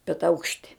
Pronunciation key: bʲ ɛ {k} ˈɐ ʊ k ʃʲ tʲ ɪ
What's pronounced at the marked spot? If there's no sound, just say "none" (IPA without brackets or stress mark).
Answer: t